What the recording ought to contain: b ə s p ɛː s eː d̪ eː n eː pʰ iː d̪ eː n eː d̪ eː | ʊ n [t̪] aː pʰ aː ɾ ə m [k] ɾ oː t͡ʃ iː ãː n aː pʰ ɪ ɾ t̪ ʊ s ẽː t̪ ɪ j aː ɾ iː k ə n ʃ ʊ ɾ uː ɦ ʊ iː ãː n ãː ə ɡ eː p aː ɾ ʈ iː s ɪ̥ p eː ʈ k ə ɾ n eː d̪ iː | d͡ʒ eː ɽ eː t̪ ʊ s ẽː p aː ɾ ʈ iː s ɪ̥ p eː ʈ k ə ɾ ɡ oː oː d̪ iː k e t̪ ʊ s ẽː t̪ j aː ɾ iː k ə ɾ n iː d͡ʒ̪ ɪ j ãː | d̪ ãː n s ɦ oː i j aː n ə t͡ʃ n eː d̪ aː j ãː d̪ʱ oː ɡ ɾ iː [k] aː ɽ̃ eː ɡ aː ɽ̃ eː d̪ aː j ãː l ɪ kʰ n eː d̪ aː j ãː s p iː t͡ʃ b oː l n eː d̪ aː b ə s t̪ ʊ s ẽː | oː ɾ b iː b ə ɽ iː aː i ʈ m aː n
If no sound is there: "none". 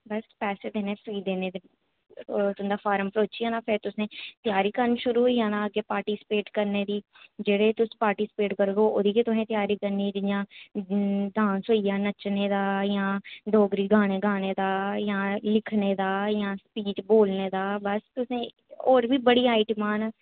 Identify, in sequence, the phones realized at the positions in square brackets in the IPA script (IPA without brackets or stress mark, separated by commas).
d̪, p, ɡ